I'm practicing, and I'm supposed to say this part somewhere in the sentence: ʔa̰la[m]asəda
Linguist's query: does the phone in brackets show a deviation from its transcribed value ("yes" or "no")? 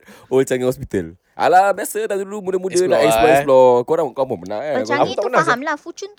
yes